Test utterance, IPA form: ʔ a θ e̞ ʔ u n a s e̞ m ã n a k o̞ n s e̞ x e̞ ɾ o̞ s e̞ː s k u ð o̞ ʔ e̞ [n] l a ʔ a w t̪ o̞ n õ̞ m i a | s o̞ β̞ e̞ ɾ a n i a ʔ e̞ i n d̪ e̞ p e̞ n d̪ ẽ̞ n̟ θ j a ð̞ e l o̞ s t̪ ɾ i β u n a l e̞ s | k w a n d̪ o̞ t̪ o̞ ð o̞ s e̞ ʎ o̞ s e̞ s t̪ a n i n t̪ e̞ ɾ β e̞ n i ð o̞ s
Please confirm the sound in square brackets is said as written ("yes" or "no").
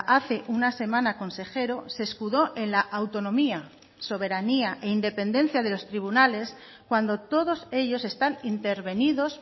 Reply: yes